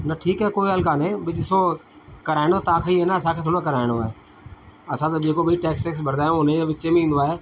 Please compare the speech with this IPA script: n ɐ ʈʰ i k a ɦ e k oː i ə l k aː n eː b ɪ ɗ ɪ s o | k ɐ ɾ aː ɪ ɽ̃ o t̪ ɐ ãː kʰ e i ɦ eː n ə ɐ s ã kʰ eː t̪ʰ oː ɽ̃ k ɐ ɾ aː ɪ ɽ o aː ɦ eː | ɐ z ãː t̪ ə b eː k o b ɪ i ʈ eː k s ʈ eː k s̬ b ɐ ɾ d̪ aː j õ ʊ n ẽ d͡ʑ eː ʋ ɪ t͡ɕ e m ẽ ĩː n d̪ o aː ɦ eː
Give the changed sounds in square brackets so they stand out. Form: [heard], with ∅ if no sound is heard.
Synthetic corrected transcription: n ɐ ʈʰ [iː] k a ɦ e k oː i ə l k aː n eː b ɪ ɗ ɪ s o | k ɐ ɾ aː ɪ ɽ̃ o t̪ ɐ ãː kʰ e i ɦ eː n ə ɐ s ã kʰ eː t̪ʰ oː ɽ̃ k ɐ ɾ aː ɪ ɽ o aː ɦ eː | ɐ [s] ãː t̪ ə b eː k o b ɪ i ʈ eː k s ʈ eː k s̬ b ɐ ɾ d̪ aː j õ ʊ n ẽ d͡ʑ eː ʋ ɪ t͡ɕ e m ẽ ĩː n d̪ o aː ɦ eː